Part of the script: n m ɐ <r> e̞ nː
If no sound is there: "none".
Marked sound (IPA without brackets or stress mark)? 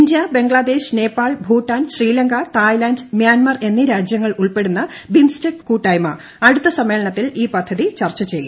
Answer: r